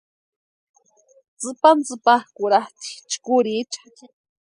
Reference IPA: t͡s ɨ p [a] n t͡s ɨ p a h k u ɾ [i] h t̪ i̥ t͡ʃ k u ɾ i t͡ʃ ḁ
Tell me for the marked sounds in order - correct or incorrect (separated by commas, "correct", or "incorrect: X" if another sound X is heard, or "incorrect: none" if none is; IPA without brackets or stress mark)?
correct, incorrect: a